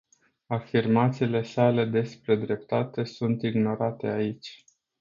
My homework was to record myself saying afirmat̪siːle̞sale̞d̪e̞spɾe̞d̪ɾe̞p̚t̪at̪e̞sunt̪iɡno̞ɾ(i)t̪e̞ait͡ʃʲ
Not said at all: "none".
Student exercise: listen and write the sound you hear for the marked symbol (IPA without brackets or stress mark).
a